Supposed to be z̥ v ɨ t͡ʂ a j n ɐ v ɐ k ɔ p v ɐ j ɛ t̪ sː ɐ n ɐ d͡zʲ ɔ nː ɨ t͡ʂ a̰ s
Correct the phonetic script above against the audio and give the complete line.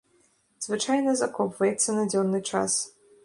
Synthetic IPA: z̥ v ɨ t͡ʂ a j n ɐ z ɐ k ɔ p v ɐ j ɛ t̪ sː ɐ n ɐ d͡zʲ ɔ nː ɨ t͡ʂ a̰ s